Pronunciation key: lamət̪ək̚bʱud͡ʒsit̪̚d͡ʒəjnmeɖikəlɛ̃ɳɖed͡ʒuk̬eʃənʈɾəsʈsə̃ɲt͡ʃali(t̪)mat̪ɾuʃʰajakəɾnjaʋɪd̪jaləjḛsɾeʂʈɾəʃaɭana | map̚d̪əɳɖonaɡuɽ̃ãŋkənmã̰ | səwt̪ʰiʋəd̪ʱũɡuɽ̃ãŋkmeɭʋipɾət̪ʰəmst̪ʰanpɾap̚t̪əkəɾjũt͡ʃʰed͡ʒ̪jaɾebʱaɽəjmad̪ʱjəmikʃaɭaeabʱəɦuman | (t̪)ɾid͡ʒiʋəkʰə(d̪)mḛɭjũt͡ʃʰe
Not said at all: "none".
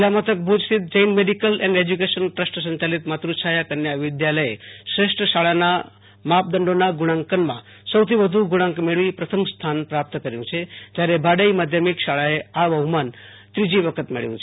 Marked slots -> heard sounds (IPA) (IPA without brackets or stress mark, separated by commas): t̪, t̪, t̪